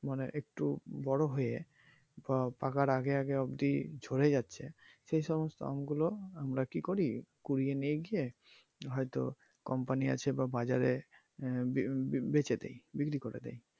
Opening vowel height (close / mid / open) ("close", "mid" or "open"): open